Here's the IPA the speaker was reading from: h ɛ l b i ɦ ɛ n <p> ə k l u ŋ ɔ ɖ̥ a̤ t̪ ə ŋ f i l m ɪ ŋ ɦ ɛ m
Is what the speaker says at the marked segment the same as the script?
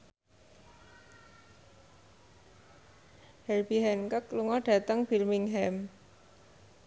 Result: no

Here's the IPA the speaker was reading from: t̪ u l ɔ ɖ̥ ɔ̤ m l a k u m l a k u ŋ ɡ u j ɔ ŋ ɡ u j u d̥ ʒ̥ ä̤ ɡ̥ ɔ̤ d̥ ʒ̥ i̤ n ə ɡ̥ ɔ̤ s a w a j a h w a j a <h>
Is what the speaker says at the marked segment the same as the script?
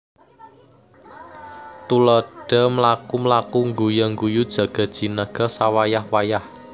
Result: yes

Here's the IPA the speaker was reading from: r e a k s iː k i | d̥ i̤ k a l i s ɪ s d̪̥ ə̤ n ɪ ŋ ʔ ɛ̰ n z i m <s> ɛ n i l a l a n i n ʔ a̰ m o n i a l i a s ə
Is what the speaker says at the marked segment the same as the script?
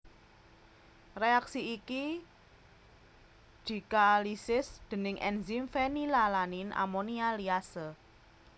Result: no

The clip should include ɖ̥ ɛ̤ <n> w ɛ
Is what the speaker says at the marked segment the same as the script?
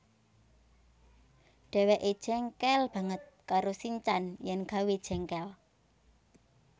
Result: no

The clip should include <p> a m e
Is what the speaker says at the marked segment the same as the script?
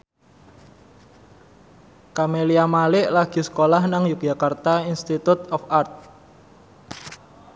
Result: no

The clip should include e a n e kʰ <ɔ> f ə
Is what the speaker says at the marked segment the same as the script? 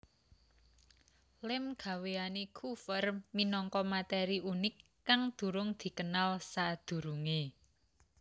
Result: no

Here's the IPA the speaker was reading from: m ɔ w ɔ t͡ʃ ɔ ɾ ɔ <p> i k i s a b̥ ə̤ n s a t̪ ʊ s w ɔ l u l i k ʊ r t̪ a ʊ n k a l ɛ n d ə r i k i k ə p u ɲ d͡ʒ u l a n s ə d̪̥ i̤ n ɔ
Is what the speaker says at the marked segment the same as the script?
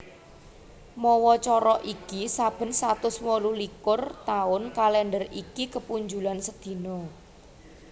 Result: no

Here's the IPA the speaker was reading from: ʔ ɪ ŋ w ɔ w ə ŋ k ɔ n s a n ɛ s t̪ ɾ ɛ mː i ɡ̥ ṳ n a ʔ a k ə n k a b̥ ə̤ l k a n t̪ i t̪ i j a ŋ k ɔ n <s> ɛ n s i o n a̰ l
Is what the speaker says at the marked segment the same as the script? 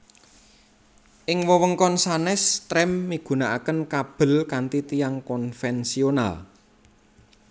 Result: no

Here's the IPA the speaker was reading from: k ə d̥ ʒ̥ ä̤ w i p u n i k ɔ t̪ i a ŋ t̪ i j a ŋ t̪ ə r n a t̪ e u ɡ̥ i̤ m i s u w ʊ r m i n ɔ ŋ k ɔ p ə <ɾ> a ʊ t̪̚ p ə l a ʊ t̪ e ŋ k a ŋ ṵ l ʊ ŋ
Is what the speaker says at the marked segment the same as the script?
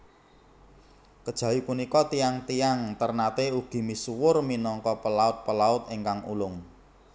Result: no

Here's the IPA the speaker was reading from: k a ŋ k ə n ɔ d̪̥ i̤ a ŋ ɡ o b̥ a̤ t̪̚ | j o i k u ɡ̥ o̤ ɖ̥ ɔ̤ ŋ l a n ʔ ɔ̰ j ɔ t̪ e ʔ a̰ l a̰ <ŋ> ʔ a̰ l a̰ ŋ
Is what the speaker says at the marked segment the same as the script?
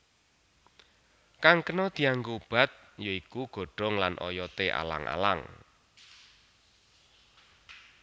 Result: yes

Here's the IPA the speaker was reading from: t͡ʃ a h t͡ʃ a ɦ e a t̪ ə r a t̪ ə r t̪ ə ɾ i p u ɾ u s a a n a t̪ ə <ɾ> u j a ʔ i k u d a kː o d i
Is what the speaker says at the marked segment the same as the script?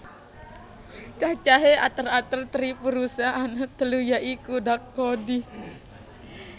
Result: no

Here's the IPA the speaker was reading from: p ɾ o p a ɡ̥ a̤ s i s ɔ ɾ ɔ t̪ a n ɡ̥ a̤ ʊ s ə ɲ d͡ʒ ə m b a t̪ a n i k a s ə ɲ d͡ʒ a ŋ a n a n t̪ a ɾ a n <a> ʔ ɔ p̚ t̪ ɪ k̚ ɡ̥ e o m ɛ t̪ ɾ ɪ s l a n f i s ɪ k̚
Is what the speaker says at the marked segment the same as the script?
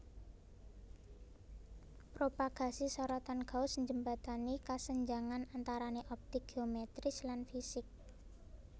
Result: no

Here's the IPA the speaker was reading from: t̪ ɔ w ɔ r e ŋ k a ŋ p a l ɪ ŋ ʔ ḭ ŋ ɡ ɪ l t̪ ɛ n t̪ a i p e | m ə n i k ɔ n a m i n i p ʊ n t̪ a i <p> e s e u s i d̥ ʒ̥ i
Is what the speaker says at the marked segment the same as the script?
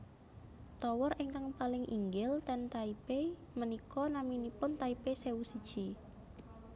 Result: yes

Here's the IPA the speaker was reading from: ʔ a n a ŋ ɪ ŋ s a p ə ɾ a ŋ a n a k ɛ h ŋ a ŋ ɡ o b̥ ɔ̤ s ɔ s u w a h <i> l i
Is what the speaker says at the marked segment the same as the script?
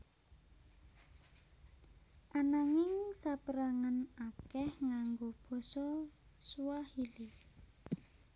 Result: yes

